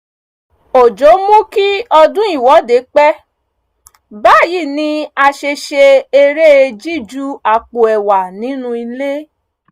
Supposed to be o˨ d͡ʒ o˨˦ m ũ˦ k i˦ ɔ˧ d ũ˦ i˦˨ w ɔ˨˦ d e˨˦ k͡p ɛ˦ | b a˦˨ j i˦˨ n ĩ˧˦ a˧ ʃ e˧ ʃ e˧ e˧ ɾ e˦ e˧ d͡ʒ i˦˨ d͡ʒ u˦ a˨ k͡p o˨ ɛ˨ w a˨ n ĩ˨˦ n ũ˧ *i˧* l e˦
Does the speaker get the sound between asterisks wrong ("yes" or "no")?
no